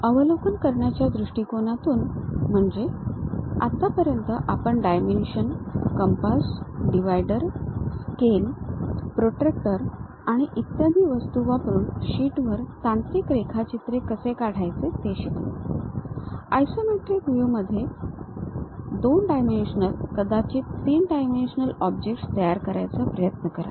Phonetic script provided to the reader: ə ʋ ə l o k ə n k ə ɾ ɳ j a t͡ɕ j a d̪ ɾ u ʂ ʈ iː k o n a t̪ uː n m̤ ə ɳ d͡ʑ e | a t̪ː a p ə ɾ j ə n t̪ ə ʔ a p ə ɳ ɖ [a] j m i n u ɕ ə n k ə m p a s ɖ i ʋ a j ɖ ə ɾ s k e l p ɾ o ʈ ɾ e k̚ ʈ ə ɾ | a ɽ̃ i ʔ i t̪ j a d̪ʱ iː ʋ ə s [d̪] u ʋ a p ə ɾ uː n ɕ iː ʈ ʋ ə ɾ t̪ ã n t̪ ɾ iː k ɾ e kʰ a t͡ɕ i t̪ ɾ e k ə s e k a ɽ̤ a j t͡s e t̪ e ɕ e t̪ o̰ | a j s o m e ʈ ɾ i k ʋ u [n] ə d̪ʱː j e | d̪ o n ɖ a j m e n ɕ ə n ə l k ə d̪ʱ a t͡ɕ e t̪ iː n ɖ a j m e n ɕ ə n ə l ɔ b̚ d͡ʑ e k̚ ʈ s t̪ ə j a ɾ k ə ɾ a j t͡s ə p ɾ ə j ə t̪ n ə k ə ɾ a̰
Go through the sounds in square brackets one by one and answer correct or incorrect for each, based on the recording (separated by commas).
correct, incorrect, incorrect